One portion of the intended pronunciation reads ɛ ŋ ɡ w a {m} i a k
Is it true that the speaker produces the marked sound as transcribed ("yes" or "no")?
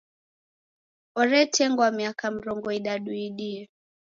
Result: yes